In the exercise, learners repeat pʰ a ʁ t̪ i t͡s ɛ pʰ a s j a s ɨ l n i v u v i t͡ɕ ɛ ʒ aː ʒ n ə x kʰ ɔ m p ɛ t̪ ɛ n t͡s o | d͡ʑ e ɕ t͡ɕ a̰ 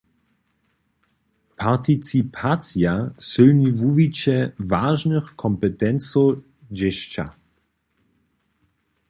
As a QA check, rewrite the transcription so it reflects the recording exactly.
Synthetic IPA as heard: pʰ a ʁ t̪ i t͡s i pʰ a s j a s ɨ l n i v u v i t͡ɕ ɛ v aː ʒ n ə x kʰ ɔ m p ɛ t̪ ɛ n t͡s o | d͡ʑ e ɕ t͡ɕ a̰

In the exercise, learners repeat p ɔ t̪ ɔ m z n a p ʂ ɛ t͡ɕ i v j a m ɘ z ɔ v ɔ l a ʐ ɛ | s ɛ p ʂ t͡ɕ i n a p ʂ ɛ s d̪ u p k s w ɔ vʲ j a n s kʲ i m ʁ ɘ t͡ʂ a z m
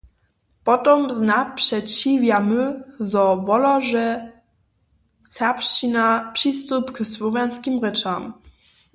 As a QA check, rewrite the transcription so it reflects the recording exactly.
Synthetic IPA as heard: p ɔ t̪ ɔ m z n a p ʂ ɛ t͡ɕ i v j a m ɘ z ɔ v ɔ l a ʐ ɛ | s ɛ p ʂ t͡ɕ i n a p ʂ i s t̪ u p k s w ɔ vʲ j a n s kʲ i m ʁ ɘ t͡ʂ a m

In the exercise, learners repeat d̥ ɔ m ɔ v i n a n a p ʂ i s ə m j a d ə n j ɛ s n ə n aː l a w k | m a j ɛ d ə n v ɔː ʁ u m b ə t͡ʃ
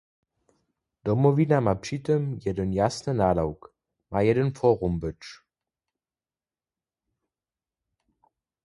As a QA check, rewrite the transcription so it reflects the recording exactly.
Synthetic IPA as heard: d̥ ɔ m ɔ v i n a m a p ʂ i t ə m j ɛ d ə n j a s n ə n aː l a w k | m a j ɛ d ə n f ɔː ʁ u m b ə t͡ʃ

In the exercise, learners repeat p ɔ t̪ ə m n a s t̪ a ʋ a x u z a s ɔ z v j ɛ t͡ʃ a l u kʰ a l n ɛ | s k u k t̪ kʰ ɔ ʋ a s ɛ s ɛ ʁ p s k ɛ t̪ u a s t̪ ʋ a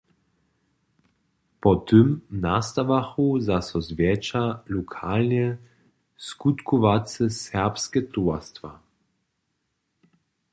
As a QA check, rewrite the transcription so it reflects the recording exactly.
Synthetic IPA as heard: p ɔ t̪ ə m n a s t̪ a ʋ a x u z a s ɔ z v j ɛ t͡ʃ a l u kʰ a l n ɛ | s k u t̪ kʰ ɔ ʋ a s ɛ s ɛ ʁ p s k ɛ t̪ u a s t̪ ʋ a

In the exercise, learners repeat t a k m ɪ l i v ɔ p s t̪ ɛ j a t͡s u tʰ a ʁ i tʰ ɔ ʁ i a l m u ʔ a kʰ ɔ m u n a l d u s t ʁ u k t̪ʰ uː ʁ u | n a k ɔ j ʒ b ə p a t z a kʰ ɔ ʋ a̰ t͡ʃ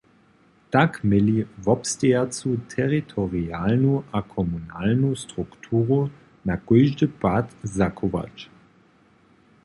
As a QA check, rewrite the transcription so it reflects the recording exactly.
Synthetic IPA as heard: t a k m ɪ l i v ɔ p s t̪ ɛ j a t͡s u tʰ ɛ ʁ i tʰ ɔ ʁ i a l n u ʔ a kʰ ɔ m u n a l n u s t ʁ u k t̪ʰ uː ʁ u | n a k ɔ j ʒ d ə p a t z a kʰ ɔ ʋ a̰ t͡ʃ

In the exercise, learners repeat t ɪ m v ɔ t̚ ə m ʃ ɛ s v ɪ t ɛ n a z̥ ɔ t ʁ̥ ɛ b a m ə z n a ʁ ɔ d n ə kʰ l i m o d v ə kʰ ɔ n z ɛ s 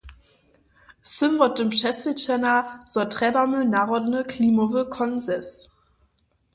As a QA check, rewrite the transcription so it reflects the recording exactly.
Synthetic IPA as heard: s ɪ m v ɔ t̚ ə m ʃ ɛ s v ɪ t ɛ n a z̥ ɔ t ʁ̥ ɛ b a m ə n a ʁ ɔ d n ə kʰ l i m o v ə kʰ ɔ n z ɛ s

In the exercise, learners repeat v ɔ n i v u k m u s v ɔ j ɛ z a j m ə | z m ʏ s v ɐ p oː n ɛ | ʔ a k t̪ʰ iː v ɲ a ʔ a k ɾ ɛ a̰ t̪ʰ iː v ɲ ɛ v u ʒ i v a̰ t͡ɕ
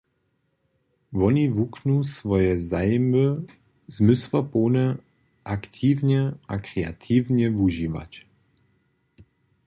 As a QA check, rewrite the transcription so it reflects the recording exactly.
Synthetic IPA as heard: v ɔ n i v u k n u s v ɔ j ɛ z a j m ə | z m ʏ s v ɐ p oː n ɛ | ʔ a k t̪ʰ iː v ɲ ɛ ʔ a k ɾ ɛ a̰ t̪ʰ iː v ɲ ɛ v u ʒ i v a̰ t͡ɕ

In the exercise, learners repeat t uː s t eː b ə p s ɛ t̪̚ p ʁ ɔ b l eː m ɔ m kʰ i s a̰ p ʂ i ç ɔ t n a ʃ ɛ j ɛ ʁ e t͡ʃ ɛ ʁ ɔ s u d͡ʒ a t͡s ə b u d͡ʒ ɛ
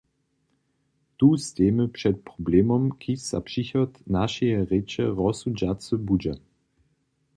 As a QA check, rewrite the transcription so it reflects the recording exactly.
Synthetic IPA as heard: t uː s t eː m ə p ʂ ɛ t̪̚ p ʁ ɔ b l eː m ɔ m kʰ i s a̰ p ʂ i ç ɔ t n a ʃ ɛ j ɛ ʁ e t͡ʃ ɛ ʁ ɔ s u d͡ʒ a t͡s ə b u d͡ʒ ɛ

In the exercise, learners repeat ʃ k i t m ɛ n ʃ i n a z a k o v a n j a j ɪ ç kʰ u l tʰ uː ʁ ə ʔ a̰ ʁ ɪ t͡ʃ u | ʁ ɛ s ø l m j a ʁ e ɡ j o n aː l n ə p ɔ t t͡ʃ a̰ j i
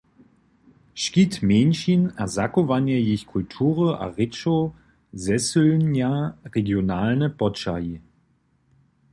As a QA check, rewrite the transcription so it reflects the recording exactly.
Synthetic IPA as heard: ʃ k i t m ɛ n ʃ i n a z a k o v a n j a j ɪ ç kʰ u l tʰ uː ʁ ə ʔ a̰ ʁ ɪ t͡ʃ o | z ɛ s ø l n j a ʁ e ɡ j o n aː l n ə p ɔ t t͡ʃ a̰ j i

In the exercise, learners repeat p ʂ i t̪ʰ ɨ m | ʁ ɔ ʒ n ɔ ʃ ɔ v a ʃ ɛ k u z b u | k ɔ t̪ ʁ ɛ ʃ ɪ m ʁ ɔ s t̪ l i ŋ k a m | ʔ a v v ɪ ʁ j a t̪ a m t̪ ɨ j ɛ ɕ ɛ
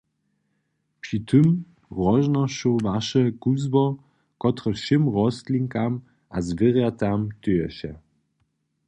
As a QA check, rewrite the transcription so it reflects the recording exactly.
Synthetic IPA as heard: p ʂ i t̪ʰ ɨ m | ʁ ɔ ʒ n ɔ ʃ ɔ v a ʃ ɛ k u z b ɔ | k ɔ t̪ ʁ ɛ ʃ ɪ m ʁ ɔ s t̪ l i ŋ k a m | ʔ a z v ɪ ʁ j a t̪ a m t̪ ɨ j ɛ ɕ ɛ

